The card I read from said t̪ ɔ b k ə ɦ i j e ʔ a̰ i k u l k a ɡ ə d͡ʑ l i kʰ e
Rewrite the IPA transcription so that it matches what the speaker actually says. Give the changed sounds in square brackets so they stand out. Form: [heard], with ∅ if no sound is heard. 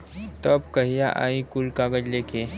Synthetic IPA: t̪ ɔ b k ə ɦ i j [a] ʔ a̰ i k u l k a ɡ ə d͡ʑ l [e] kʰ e